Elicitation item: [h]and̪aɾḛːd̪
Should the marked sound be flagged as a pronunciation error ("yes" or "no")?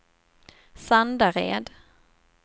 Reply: yes